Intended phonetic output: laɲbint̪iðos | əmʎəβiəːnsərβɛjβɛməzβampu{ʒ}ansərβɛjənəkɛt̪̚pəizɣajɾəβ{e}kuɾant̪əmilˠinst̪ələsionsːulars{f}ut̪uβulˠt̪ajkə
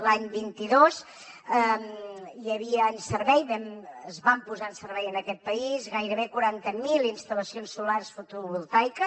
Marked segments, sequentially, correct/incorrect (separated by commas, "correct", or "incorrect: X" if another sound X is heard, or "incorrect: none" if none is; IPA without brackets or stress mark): incorrect: z, correct, correct